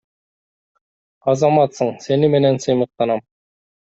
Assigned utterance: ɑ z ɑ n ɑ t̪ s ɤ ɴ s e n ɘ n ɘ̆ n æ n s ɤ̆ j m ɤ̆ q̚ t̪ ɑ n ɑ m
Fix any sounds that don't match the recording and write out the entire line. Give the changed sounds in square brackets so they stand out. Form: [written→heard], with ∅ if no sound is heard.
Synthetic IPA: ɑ z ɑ [n→m] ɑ t̪ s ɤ ɴ s e n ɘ [n→m] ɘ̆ n æ n s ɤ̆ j m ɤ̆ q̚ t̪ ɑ n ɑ m